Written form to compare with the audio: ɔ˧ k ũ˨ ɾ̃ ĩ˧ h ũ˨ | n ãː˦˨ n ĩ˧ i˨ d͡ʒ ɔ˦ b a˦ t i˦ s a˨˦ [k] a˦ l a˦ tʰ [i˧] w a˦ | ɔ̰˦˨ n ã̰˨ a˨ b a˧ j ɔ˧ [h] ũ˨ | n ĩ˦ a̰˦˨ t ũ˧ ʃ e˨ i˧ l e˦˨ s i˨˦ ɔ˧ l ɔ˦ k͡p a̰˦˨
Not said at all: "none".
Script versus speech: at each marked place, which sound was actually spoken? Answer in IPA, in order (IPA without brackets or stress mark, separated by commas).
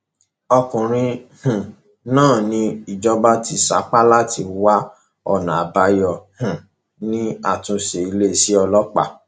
k͡p, i˧, h